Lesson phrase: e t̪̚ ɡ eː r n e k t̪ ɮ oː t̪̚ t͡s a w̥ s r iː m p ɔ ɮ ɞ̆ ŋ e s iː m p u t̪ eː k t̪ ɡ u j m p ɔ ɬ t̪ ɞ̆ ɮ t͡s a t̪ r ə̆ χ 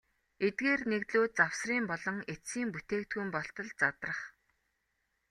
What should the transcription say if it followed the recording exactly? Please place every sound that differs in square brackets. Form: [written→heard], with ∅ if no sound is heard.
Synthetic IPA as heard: e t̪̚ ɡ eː r n e k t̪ ɮ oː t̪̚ t͡s a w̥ s r iː m p ɔ ɮ ɞ̆ ŋ e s iː m p u t̪ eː k t̪ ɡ u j m p ɔ ɬ t̪ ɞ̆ ɮ t͡s a t̪ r ə̆ χ